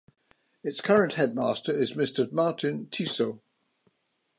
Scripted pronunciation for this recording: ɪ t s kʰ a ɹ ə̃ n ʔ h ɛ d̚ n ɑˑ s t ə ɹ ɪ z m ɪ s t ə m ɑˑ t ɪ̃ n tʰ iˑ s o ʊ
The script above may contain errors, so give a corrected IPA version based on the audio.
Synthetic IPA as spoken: ɪ t s kʰ ʌ ɹ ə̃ n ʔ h ɛ d̚ m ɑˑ s t ə ɹ ɪ z m ɪ s t ə m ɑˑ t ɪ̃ n tʰ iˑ s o ʊ